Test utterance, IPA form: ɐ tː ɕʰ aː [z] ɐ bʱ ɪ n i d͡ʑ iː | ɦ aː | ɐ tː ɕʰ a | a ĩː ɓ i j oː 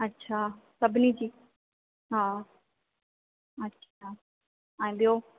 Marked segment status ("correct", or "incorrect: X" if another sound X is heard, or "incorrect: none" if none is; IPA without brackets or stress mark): incorrect: s